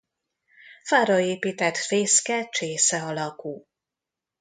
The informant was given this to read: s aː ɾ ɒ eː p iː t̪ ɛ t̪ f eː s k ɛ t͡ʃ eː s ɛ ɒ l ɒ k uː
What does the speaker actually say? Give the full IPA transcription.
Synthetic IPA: f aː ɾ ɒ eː p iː t̪ ɛ t̪ f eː s k ɛ t͡ʃ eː s ɛ ɒ l ɒ k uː